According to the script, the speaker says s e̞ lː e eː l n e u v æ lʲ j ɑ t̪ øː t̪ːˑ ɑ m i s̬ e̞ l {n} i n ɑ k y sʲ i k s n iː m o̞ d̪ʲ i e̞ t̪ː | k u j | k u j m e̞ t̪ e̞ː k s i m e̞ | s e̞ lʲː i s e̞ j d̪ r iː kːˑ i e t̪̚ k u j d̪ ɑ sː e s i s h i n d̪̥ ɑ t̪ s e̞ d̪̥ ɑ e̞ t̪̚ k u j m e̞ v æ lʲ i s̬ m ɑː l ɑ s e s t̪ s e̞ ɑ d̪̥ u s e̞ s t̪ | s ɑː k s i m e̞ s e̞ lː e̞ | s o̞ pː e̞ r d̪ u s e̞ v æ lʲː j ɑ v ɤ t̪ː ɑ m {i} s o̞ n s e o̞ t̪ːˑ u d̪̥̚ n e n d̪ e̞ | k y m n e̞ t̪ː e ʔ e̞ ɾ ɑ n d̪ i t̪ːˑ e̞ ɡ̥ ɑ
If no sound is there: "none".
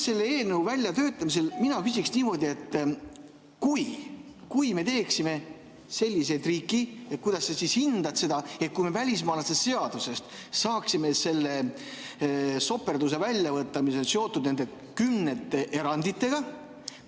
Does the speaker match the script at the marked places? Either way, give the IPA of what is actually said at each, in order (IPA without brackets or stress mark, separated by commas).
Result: m, i